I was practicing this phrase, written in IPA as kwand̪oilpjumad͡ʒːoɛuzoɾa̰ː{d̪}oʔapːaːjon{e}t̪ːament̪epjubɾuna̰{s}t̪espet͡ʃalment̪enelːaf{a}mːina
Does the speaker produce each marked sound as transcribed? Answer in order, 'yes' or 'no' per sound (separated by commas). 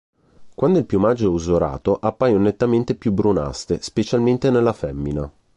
no, yes, yes, no